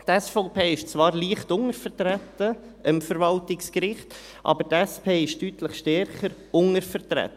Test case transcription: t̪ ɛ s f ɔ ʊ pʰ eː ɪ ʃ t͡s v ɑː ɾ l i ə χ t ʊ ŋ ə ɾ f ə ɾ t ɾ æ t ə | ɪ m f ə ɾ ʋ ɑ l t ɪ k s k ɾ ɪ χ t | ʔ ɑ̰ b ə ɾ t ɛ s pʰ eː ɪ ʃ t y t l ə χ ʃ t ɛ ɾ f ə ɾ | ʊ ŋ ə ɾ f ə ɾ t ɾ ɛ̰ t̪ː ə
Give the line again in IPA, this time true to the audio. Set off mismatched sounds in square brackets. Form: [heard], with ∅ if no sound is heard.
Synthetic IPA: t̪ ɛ s f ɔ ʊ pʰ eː ɪ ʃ t͡s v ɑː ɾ l i ə χ t ʊ ŋ ə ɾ f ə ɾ t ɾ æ t ə | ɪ m f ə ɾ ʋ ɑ l t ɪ k s k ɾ ɪ χ t | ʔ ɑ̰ b ə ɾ t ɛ s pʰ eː ɪ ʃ t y t l ə χ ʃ t ɛ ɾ [χ] ə ɾ | ʊ ŋ ə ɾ f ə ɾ t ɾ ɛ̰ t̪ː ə